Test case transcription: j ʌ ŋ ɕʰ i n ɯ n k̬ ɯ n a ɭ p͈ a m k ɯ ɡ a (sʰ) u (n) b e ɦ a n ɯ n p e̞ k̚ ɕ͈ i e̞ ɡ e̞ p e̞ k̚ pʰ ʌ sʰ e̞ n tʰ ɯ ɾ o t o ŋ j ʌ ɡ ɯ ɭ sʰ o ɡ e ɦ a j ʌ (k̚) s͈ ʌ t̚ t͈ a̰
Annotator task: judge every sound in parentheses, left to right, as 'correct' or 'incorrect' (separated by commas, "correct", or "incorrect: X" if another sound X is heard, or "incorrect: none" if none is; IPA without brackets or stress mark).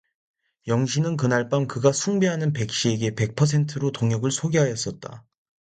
correct, incorrect: ŋ, incorrect: none